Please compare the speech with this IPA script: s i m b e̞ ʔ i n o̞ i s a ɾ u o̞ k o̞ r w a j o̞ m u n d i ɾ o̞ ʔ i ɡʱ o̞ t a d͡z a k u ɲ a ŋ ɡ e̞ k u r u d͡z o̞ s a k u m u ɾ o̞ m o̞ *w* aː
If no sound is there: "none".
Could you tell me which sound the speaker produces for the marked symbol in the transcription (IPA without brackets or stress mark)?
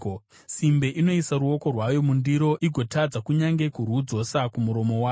w